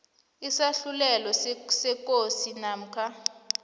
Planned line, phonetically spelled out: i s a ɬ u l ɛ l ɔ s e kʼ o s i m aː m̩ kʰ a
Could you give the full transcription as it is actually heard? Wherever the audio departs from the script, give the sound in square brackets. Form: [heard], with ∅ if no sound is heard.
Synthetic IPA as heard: i s a ɬ u l ɛ l ɔ s [ɛ] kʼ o s i [n] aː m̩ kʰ a